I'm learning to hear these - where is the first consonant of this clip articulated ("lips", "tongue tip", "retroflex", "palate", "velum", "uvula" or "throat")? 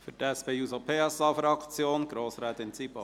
lips